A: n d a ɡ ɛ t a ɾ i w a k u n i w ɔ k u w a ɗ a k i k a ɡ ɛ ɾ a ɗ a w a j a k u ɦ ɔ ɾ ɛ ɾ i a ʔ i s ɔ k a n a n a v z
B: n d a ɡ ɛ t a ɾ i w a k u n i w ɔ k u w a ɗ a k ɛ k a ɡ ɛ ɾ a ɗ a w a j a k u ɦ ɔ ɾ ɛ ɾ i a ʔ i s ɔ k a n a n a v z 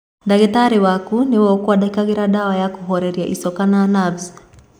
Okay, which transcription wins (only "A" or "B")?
A